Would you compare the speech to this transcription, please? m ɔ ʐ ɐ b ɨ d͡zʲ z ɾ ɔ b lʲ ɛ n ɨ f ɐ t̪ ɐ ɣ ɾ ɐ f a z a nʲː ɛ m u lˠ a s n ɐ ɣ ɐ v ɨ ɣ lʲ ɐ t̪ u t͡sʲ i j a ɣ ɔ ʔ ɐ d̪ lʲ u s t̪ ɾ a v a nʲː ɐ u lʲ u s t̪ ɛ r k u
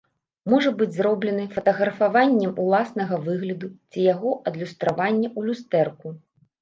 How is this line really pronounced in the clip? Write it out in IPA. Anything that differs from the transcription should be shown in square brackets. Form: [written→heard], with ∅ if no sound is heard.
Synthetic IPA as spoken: m ɔ ʐ ɐ b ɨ d͡zʲ z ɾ ɔ b lʲ ɛ n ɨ f ɐ t̪ ɐ ɣ ɾ ɐ f a [z→v] a nʲː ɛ m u lˠ a s n ɐ ɣ ɐ v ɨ ɣ lʲ ɐ [t̪→d̪] u t͡sʲ i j a ɣ ɔ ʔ ɐ d̪ lʲ u s t̪ ɾ a v a nʲː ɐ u lʲ u s t̪ ɛ r k u